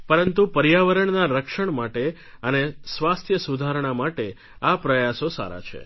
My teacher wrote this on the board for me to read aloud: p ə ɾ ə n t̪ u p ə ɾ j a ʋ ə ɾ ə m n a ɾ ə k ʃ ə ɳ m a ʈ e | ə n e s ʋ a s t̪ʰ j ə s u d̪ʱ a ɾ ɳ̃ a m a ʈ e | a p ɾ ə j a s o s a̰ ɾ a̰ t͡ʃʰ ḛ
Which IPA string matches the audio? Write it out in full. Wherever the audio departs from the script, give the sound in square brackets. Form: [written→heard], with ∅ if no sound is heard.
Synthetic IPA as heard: p ə ɾ ə n t̪ u p ə ɾ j a ʋ ə ɾ ə [m→ɳ] n a ɾ ə k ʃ ə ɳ m a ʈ e | ə n e s ʋ a s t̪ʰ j ə s u d̪ʱ a ɾ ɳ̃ a m a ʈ e | a p ɾ ə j a s o s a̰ ɾ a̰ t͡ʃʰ ḛ